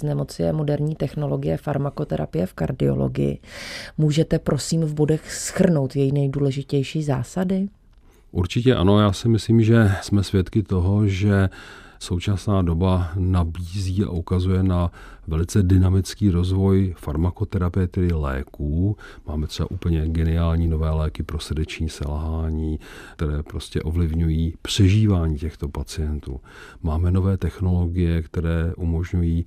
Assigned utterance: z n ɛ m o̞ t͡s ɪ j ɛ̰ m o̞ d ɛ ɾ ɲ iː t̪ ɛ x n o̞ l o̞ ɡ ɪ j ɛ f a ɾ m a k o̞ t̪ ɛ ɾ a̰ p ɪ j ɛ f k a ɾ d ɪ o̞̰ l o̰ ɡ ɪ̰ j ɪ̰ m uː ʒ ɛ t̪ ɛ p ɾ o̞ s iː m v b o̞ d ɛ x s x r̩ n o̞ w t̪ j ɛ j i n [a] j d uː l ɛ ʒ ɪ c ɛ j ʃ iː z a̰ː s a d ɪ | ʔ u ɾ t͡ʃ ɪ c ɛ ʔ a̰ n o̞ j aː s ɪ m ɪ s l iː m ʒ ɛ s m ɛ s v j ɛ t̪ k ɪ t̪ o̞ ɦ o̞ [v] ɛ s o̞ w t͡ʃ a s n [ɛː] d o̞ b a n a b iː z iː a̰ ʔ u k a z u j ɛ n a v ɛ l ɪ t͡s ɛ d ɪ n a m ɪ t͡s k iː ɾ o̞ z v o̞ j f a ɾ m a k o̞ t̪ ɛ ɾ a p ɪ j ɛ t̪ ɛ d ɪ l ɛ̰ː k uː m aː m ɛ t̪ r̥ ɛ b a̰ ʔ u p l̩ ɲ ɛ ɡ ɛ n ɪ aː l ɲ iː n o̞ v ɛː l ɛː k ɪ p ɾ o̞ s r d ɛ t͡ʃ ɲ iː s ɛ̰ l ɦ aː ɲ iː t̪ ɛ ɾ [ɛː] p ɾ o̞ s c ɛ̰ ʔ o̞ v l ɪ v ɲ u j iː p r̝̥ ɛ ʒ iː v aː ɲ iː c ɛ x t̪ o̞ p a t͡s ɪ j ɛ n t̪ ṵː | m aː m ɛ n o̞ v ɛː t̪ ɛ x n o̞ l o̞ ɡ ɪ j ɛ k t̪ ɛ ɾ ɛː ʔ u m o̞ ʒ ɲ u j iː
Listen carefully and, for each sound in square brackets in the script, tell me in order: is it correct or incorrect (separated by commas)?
incorrect, incorrect, incorrect, correct